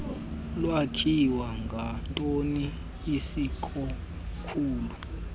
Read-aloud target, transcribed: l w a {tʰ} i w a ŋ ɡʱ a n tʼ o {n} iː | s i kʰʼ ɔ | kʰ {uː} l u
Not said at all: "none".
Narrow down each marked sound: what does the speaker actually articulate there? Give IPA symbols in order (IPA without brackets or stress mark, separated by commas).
kʰ, n, uː